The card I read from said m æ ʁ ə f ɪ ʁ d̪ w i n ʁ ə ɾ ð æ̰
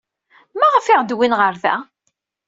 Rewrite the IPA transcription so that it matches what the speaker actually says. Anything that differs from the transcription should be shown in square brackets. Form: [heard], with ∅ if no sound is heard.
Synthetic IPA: m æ ʁ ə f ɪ ʁ d̪ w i n ʁ ə ɾ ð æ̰